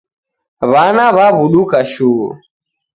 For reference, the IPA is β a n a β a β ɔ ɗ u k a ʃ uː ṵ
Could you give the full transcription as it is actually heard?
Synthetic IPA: β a n a β a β u ɗ u k a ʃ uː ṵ